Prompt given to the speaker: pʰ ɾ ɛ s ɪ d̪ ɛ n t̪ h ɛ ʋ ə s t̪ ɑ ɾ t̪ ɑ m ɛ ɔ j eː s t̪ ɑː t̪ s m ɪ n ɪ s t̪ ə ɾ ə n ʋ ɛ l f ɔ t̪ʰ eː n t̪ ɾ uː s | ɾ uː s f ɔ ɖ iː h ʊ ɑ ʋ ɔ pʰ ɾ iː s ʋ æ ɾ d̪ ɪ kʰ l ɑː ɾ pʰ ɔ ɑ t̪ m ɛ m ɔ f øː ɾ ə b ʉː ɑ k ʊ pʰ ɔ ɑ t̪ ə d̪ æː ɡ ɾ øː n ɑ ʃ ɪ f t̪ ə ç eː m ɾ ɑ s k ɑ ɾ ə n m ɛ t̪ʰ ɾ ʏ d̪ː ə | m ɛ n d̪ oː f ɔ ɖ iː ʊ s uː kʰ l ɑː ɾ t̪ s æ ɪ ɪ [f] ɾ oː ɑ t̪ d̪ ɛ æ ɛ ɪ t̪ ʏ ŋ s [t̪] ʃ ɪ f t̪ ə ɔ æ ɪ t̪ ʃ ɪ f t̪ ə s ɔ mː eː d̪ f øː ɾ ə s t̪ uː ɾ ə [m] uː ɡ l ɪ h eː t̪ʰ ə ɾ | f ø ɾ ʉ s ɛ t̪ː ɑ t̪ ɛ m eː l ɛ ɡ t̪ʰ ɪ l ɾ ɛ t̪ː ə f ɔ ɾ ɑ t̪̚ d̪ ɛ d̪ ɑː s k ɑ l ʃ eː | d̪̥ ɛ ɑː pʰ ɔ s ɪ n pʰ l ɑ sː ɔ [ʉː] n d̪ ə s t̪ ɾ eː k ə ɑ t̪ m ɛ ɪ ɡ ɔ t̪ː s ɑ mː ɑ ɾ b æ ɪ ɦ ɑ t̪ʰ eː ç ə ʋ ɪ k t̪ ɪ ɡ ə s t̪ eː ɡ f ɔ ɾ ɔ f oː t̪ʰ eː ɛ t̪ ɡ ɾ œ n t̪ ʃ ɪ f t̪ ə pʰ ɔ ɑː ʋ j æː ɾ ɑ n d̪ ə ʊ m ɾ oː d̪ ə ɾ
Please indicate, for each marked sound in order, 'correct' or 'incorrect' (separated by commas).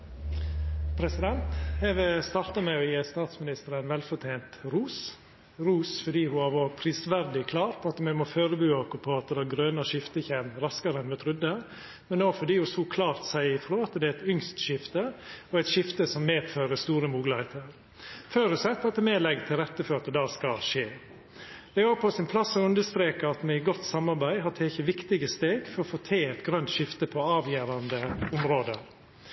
correct, correct, correct, incorrect